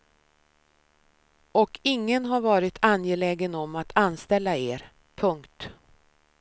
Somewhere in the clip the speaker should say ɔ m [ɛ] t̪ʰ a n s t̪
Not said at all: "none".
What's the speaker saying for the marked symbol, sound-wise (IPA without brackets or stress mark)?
a